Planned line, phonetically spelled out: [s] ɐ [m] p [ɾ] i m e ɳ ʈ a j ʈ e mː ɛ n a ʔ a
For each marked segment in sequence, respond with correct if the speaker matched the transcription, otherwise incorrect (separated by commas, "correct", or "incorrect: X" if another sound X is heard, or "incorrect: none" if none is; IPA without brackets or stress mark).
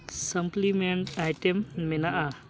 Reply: correct, correct, incorrect: l